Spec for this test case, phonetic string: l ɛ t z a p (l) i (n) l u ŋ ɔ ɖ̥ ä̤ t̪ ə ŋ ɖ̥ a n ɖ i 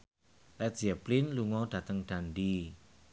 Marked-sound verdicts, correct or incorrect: correct, correct

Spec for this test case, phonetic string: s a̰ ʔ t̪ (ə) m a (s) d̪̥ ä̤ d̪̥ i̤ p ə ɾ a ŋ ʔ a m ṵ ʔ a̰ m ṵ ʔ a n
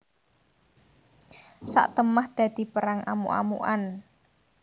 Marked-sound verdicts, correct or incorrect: correct, incorrect

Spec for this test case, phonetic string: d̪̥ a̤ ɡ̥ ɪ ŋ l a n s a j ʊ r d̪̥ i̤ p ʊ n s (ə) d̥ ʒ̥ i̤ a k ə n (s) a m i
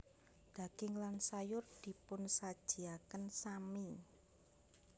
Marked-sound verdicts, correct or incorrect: incorrect, correct

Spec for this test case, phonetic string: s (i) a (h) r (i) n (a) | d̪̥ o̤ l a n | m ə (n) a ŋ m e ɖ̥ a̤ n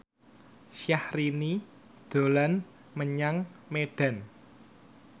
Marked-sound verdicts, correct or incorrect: incorrect, correct, correct, incorrect, incorrect

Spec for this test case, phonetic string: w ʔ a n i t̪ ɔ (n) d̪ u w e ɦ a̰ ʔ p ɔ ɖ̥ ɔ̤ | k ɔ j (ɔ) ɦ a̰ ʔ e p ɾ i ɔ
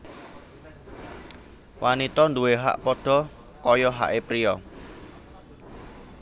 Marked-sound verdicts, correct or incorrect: correct, correct

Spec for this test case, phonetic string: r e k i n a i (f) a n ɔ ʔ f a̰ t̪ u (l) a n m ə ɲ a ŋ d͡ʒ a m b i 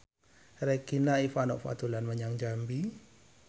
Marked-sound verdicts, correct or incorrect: correct, correct

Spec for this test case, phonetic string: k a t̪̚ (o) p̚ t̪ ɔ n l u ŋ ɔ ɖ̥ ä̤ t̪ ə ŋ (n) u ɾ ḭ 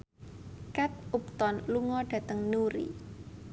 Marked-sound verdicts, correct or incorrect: incorrect, correct

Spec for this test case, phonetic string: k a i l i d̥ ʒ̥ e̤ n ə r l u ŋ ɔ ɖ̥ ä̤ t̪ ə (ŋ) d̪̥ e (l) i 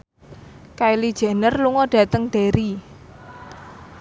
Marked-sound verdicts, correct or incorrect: correct, incorrect

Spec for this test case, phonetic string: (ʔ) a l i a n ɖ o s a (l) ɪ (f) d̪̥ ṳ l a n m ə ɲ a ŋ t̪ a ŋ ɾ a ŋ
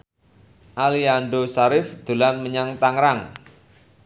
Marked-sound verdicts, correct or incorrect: correct, incorrect, correct

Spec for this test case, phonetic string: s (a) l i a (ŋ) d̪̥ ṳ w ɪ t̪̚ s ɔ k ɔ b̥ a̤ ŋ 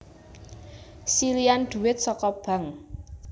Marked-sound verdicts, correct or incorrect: incorrect, incorrect

